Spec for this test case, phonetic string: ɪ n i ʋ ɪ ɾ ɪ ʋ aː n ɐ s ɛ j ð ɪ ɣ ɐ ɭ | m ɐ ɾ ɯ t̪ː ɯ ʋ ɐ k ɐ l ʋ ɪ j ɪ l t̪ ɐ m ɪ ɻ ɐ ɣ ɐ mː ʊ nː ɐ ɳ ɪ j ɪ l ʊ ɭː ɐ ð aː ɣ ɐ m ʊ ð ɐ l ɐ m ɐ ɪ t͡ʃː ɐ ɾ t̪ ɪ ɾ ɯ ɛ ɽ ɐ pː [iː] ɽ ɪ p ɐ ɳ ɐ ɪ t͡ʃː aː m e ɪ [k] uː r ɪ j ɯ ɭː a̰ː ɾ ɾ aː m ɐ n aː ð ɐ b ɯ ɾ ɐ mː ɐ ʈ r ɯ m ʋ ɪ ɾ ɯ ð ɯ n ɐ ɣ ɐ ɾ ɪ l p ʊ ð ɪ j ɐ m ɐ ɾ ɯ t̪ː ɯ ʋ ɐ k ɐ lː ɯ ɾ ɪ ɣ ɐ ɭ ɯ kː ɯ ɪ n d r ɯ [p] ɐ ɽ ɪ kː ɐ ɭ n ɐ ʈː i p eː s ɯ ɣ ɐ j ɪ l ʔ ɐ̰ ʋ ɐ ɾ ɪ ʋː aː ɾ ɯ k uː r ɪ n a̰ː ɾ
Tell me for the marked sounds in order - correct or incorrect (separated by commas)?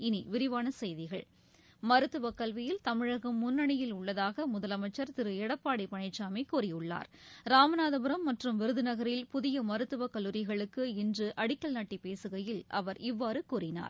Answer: incorrect, correct, incorrect